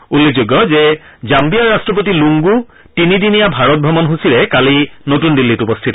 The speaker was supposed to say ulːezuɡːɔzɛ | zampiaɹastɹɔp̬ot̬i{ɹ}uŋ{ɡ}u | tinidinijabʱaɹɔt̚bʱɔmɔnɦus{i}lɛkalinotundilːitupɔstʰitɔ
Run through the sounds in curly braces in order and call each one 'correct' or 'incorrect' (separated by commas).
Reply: incorrect, correct, correct